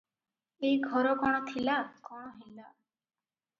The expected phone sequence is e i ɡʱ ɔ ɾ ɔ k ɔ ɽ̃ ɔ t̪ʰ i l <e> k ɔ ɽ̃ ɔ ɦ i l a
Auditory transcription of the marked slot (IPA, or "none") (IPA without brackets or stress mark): a